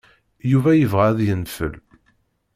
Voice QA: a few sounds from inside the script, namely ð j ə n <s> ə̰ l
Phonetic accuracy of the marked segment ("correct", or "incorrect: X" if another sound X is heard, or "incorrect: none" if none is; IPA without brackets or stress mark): incorrect: f